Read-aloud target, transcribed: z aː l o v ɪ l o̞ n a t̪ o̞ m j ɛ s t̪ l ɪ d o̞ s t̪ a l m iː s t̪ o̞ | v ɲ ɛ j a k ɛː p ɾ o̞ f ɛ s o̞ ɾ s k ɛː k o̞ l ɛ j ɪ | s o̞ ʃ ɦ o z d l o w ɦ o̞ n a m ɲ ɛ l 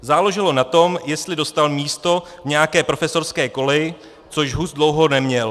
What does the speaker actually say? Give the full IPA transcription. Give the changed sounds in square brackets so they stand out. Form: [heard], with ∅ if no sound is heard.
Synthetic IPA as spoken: z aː l o [ʒ] ɪ l o̞ n a t̪ o̞ m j ɛ s t̪ l ɪ d o̞ s t̪ a l m iː s t̪ o̞ | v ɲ ɛ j a k ɛː p ɾ o̞ f ɛ s o̞ ɾ s k ɛː k o̞ l ɛ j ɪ | [t͡s] o̞ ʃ ɦ [u] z d l o w ɦ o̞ n [ɛ] m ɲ ɛ l